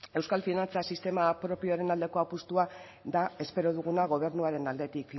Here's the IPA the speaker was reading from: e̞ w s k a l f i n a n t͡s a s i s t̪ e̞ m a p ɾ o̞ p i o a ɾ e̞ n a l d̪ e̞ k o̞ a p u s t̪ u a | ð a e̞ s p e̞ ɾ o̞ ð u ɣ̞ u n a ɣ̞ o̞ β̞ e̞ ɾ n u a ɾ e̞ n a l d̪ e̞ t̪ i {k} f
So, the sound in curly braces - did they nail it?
yes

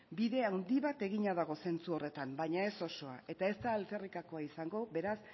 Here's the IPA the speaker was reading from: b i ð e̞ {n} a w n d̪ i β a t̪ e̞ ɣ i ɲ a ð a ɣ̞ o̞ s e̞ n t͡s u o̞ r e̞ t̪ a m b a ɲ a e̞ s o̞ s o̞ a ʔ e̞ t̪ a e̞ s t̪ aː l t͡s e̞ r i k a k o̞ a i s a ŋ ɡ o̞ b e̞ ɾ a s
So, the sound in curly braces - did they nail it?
no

